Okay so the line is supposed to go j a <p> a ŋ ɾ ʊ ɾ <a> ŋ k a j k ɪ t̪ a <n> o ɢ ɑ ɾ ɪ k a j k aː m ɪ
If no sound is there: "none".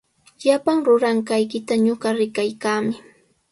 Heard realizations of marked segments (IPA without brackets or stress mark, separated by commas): p, a, ɲ